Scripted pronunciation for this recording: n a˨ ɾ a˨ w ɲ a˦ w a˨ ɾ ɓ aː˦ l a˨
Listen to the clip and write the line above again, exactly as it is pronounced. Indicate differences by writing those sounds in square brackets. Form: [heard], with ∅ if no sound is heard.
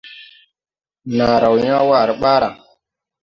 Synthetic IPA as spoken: n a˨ ɾ a˨ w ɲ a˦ w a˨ ɾ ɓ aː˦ [ɾ] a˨